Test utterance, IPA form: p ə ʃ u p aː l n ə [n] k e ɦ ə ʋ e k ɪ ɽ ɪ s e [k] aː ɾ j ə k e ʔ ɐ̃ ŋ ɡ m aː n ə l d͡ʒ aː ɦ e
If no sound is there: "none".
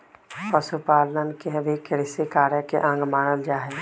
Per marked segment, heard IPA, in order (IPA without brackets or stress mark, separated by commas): n, k